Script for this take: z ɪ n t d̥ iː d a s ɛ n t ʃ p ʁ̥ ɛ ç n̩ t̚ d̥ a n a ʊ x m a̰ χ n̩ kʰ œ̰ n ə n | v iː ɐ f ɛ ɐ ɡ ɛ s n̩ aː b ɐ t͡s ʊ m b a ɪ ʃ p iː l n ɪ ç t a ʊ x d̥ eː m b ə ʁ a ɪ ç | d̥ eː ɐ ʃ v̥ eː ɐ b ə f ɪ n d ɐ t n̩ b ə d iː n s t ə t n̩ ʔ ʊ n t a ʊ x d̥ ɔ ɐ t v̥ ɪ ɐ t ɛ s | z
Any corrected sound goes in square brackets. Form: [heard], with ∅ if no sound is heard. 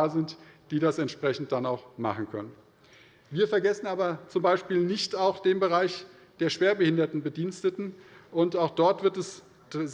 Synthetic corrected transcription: z ɪ n t d̥ iː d a s ɛ n t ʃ p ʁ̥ ɛ ç n̩ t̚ d̥ a n a ʊ x m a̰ χ n̩ kʰ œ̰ n ə n | v iː ɐ f ɛ ɐ ɡ ɛ s n̩ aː b ɐ t͡s ʊ m b a ɪ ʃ p iː l n ɪ ç t a ʊ x d̥ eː m b ə ʁ a ɪ ç | d̥ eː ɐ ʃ v̥ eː ɐ b ə [h] ɪ n d ɐ t n̩ b ə d iː n s t ə t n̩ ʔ ʊ n t a ʊ x d̥ ɔ ɐ t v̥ ɪ ɐ t ɛ s | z